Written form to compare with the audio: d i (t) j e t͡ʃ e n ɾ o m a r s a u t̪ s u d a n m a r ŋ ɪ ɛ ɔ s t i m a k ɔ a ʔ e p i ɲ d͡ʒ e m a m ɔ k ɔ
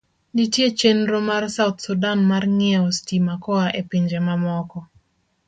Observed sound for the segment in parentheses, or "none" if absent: t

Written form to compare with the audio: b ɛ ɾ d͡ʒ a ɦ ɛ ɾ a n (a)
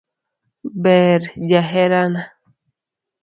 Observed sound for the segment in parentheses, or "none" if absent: a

